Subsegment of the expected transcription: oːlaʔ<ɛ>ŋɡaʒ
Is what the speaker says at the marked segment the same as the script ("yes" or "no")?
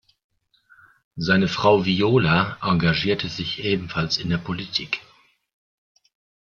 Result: no